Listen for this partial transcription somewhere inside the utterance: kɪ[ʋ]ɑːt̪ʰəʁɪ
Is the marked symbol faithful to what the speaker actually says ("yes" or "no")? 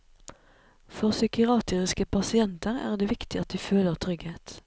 no